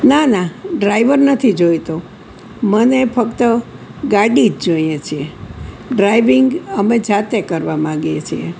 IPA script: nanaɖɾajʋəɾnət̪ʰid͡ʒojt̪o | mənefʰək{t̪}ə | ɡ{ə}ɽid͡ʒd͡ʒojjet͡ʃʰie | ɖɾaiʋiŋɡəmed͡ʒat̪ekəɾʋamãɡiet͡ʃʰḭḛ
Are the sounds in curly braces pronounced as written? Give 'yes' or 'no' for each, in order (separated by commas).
yes, no